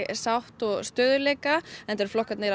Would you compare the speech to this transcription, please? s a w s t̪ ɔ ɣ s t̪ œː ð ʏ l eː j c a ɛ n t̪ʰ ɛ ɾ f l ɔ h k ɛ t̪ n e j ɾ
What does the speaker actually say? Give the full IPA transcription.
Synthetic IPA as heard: s a w h t̪ ɔ ɣ s t̪ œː ð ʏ l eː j k a ɛ n t̪ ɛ ɾ f l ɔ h k a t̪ n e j ɾ